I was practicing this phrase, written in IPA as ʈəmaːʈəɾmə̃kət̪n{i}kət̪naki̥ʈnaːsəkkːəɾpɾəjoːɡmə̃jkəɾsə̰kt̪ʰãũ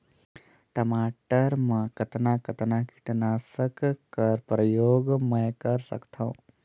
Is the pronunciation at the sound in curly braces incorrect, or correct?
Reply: incorrect